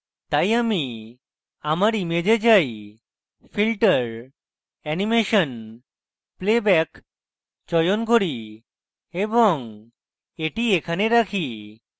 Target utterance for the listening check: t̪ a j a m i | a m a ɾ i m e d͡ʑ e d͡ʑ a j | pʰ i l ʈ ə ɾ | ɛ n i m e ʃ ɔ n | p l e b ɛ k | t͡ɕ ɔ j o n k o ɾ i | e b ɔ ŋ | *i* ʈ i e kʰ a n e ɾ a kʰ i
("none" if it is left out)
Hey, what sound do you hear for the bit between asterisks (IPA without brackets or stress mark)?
e